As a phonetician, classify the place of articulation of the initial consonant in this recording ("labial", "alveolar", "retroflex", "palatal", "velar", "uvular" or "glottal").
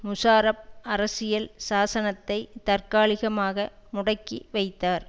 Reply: labial